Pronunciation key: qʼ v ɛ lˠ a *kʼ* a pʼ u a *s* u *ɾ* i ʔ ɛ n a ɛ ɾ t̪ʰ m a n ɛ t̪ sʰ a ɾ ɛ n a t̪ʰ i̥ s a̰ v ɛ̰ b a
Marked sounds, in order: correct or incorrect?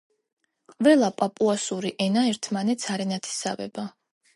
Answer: incorrect, correct, correct

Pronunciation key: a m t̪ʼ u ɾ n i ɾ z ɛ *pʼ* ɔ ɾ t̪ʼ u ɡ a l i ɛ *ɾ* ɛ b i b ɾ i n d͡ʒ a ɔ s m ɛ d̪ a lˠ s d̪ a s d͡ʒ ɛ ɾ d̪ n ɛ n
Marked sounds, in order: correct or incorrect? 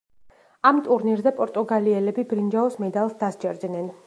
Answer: correct, incorrect

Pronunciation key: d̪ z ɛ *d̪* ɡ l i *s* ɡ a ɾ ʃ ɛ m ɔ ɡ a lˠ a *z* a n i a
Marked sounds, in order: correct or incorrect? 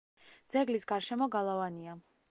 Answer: incorrect, correct, incorrect

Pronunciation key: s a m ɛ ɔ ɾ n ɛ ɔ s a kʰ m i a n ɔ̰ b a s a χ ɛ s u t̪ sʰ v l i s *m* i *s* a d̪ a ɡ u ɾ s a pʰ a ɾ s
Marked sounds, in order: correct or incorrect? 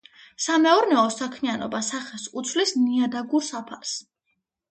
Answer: incorrect, incorrect

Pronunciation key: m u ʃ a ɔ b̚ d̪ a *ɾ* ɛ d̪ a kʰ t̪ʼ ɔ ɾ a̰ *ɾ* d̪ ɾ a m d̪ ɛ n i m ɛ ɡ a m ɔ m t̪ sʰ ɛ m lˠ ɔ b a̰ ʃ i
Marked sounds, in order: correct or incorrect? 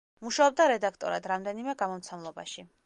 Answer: correct, incorrect

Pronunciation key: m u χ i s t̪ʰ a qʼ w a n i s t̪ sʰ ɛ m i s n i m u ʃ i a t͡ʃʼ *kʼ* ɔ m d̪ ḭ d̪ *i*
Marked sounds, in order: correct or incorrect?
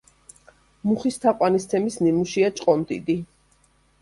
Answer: incorrect, correct

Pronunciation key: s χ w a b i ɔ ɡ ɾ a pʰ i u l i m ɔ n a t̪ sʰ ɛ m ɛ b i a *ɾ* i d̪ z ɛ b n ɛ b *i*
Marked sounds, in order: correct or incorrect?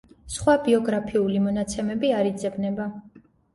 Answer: correct, incorrect

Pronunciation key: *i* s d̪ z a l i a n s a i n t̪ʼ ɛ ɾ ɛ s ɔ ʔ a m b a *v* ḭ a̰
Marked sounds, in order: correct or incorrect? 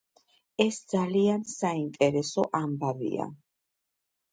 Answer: incorrect, correct

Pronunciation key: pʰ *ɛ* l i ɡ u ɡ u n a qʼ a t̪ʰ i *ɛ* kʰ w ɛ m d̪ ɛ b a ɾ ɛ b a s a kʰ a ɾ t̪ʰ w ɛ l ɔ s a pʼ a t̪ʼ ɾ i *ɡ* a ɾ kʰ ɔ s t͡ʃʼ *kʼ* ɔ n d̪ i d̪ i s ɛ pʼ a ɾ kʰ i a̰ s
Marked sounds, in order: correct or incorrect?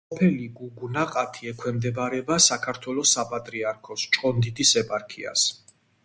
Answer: correct, correct, incorrect, incorrect

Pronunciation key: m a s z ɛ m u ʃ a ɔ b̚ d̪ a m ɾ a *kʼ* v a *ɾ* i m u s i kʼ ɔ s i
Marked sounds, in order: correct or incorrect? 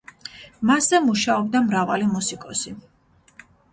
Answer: incorrect, incorrect

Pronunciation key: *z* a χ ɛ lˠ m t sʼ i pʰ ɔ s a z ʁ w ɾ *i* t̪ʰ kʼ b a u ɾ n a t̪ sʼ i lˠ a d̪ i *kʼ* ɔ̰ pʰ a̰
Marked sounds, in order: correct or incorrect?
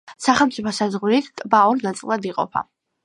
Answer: incorrect, correct, incorrect

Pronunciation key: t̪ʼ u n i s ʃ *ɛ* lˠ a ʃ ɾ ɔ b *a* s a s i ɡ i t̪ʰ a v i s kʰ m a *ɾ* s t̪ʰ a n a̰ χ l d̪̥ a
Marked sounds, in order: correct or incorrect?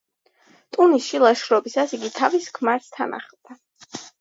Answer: incorrect, incorrect, correct

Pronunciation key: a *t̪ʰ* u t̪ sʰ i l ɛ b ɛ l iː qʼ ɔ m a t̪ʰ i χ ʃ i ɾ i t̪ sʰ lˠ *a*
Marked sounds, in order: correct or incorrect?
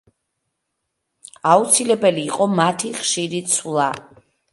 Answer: incorrect, correct

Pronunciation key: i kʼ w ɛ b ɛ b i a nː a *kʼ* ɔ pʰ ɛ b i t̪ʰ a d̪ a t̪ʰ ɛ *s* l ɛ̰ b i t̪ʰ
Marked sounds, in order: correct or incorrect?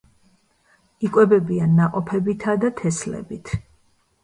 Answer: incorrect, correct

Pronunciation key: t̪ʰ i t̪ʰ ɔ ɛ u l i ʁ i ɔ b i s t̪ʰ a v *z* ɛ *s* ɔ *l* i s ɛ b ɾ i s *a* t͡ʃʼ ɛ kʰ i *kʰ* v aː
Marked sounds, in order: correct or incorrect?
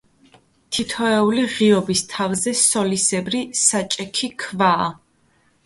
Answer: correct, correct, correct, correct, correct

